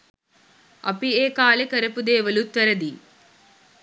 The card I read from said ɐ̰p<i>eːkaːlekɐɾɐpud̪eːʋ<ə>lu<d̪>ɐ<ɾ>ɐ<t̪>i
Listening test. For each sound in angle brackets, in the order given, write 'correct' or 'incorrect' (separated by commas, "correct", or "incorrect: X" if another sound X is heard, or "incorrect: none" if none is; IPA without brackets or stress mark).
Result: correct, incorrect: ɐ, incorrect: t̪, correct, incorrect: d̪